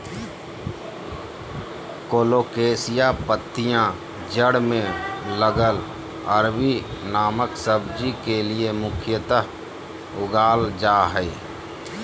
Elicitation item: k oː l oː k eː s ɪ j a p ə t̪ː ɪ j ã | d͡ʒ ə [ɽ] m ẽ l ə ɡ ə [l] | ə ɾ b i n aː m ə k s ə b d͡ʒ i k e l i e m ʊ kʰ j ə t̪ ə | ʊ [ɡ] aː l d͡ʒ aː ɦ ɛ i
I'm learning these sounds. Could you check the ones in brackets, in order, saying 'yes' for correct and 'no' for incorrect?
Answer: yes, yes, yes

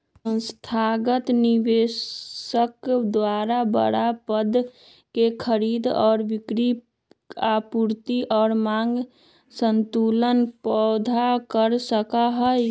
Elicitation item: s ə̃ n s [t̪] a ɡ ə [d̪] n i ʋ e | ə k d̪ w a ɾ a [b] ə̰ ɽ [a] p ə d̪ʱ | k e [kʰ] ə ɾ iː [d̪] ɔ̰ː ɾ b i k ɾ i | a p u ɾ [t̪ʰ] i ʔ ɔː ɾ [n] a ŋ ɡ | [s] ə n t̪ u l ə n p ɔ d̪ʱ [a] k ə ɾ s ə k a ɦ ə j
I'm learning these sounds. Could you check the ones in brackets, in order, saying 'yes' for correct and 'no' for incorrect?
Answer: no, no, yes, yes, yes, yes, no, no, yes, yes

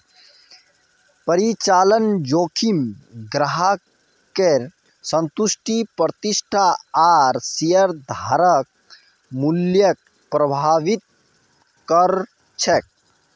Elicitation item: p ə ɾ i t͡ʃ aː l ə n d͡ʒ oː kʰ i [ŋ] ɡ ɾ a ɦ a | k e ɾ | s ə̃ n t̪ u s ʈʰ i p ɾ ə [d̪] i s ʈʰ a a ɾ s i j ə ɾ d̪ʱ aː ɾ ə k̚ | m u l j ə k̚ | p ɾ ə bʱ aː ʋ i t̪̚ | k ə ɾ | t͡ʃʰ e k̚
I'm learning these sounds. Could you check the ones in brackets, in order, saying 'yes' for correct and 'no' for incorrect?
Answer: no, no

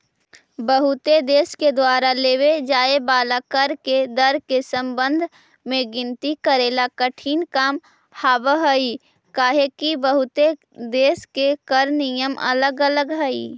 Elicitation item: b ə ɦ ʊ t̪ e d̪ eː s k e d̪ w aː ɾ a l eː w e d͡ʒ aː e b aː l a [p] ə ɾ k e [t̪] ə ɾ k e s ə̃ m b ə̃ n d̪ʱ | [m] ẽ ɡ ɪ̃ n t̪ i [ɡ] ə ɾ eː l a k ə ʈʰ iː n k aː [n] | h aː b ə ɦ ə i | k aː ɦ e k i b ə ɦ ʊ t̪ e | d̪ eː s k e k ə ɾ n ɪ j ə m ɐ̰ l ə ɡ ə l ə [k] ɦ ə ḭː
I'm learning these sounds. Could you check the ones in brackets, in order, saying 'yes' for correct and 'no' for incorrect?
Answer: no, no, yes, no, no, no

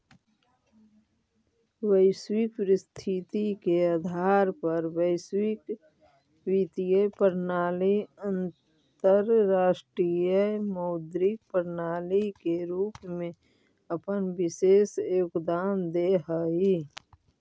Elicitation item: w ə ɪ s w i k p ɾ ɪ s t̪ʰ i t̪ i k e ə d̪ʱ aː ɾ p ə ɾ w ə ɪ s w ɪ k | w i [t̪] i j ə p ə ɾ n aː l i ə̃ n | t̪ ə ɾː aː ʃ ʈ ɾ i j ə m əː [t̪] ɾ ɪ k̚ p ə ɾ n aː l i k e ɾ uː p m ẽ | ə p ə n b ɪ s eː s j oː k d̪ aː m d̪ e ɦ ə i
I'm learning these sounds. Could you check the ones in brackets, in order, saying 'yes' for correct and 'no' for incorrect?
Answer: yes, no

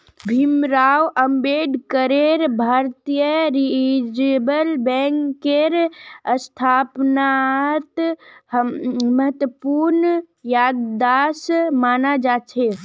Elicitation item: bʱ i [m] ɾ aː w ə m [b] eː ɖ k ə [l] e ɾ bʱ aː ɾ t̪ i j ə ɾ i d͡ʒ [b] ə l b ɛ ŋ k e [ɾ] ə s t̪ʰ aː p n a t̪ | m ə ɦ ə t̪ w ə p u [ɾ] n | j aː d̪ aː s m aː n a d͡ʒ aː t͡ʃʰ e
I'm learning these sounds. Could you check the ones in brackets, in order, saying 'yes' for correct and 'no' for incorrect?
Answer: yes, yes, no, yes, yes, yes

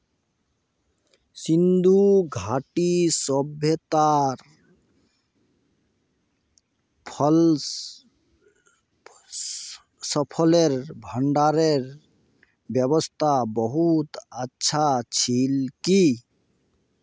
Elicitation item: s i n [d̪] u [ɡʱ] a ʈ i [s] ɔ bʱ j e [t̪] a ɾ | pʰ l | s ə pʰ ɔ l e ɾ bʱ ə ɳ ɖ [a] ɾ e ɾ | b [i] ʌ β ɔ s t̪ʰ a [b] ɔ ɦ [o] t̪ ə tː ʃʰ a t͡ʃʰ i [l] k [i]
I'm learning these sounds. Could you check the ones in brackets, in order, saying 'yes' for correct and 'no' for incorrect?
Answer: yes, yes, yes, yes, yes, no, yes, no, yes, yes

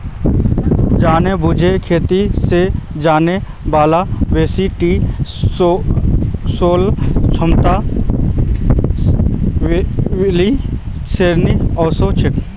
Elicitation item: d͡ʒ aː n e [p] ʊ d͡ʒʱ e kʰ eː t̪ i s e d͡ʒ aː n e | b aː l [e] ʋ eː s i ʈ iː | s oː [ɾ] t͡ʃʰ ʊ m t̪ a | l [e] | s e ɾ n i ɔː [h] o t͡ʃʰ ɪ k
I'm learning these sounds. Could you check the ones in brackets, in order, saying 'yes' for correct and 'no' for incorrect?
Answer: no, no, no, no, no

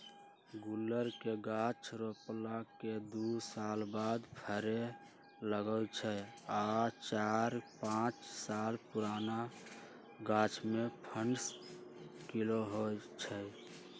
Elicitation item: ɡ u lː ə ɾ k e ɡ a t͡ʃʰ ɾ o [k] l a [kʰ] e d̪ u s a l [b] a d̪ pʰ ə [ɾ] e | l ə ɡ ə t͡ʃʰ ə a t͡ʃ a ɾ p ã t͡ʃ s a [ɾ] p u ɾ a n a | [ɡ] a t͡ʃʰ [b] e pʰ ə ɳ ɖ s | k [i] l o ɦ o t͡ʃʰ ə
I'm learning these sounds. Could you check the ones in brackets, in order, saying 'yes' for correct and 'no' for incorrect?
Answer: no, no, yes, yes, no, yes, no, yes

